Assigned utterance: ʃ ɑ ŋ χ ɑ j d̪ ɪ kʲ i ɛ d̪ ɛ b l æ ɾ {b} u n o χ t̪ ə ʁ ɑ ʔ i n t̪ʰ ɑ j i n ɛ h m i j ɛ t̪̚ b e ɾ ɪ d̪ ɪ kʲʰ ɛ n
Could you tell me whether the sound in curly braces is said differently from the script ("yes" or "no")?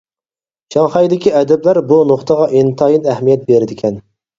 no